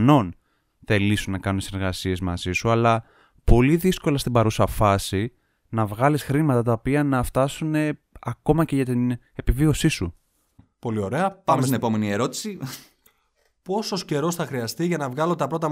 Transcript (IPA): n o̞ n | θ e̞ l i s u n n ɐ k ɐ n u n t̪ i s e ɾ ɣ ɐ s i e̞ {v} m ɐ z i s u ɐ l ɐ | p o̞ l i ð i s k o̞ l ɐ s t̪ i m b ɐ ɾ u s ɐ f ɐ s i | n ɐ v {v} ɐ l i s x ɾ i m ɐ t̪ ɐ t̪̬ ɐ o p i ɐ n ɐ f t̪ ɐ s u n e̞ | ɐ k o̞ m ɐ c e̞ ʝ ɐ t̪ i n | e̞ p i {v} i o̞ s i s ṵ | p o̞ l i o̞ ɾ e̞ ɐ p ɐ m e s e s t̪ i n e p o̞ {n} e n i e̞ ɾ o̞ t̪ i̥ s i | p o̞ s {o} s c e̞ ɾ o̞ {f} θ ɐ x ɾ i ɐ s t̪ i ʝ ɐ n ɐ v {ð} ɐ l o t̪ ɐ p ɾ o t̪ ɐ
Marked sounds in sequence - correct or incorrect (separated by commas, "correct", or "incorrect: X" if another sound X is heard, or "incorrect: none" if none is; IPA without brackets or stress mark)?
incorrect: z, incorrect: ɣ, correct, incorrect: m, correct, incorrect: s, incorrect: ɣ